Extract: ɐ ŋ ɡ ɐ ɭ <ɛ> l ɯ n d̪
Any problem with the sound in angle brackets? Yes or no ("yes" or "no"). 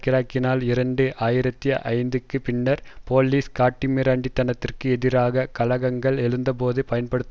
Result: no